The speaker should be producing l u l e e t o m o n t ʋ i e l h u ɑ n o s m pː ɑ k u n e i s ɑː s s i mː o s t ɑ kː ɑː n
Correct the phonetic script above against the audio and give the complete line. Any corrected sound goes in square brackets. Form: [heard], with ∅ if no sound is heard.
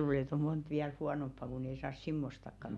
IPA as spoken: l [uː] l e e t o m o n t ʋ i [æ] l h u ɑ n o [∅] m pː ɑ k u n e i s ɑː s s i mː o s t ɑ kː [ɑ] n